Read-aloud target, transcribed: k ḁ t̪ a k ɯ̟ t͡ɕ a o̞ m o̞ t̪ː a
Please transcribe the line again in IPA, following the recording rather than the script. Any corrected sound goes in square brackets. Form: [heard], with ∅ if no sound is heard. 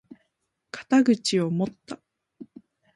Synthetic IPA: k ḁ t̪ a [ɡ] ɯ̟ t͡ɕ [i] o̞ m o̞ t̪ː a